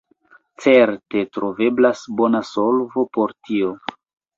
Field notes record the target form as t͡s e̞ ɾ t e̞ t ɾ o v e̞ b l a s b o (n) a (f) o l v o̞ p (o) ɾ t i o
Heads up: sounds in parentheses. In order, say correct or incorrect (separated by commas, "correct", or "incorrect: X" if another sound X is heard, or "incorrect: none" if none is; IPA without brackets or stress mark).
correct, incorrect: s, correct